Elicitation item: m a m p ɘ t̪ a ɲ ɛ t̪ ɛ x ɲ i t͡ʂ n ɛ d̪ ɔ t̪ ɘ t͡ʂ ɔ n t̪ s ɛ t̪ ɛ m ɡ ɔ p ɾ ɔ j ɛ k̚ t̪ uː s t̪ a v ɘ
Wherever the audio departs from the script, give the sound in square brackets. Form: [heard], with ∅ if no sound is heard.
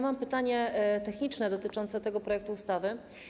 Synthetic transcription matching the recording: m a m p ɘ t̪ a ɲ ɛ t̪ ɛ x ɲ i t͡ʂ n ɛ d̪ ɔ t̪ ɘ t͡ʂ ɔ n t̪ s ɛ t̪ ɛ [∅] ɡ ɔ p ɾ ɔ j ɛ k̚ t̪ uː s t̪ a v ɘ